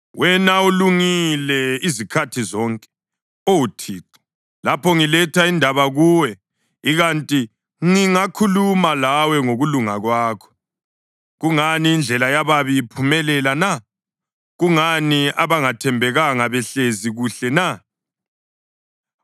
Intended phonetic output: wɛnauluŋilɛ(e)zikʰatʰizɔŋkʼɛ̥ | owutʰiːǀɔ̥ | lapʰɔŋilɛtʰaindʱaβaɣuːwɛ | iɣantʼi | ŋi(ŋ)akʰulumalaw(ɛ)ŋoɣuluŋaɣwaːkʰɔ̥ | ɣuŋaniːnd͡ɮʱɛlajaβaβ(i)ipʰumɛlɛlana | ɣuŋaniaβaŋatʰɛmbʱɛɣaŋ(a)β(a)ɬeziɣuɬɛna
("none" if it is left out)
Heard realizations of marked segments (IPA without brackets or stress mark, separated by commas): i, ŋ, ɛ, i, a, ɛ